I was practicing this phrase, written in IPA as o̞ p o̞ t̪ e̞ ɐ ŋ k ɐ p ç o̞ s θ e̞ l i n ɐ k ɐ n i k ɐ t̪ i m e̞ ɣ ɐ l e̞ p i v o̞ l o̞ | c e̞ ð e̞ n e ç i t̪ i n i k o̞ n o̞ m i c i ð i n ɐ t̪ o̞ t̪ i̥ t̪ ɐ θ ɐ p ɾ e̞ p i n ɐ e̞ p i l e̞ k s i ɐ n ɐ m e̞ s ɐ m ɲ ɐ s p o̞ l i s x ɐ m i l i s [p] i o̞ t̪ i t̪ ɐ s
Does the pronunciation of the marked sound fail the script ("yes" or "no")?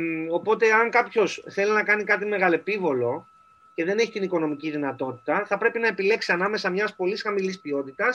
no